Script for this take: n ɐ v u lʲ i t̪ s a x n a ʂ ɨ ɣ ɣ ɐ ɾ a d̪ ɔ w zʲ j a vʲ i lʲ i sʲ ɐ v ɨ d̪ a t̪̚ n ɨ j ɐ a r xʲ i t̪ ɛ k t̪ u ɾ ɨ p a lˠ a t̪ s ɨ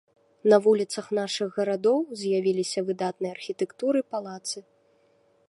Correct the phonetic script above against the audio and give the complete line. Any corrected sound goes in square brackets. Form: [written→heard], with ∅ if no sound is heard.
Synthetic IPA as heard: n ɐ v u lʲ i t̪ s [a→ɐ] x n a ʂ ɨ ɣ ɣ ɐ ɾ a d̪ ɔ w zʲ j a vʲ i lʲ i sʲ ɐ v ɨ d̪ a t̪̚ n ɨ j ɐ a r xʲ i t̪ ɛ k t̪ u ɾ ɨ p a lˠ a t̪ s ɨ